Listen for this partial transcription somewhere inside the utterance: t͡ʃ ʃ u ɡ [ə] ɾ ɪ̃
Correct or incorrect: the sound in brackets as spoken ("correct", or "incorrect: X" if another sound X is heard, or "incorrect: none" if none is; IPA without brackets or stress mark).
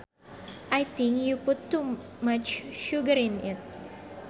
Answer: correct